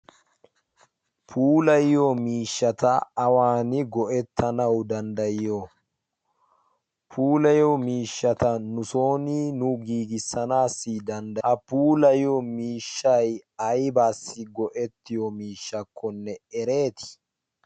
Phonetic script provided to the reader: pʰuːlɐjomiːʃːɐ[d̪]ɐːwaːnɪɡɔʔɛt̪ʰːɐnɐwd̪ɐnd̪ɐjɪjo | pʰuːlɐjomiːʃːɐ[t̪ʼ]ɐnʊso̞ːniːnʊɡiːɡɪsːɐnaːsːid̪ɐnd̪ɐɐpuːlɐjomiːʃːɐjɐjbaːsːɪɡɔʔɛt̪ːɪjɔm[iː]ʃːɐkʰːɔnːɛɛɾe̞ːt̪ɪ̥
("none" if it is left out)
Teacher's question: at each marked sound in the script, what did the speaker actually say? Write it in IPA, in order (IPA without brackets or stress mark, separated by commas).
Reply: t̪, t̪, iː